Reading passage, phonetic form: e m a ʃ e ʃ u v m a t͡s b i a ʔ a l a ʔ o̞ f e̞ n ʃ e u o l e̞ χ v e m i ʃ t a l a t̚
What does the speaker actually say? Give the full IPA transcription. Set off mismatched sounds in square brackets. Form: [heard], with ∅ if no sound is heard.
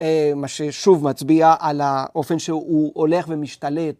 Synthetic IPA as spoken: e m a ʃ e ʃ u v m a t͡s b i a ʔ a l a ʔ o̞ f e̞ n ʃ e u o l e̞ χ v e m i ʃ t a l [e] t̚